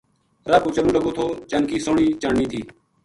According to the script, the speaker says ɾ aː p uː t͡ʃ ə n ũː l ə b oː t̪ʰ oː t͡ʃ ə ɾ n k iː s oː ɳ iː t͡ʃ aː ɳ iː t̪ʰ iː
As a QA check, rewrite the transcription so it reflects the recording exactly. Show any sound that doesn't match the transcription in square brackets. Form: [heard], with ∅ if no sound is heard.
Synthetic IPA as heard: ɾ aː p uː t͡ʃ ə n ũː l ə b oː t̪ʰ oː t͡ʃ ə [∅] n k iː s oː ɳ iː t͡ʃ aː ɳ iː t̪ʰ iː